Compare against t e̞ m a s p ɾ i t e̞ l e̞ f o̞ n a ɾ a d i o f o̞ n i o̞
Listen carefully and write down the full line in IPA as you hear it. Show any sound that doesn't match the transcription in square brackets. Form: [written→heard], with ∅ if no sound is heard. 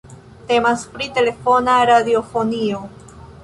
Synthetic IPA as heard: t e̞ m a s p ɾ i t e̞ l e̞ f o̞ n a ɾ a d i o f o̞ n i o̞